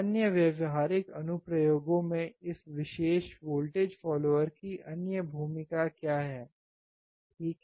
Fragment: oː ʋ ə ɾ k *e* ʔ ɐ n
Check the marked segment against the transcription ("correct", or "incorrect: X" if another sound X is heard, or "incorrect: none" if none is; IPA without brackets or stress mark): incorrect: i